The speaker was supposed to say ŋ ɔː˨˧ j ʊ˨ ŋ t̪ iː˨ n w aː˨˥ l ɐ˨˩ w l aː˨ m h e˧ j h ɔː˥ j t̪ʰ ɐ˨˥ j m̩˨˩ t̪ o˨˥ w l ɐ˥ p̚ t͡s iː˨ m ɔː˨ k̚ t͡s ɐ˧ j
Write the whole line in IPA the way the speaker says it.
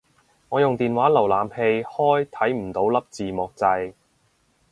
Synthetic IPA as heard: ŋ ɔː˨˧ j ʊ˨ ŋ t̪ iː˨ n w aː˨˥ l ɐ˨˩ w l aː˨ m h e˧ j h ɔː˥ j t̪ʰ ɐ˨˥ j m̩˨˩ t̪ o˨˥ w l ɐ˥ p̚ t͡s iː˨ m ɔː˨ k̚ t͡s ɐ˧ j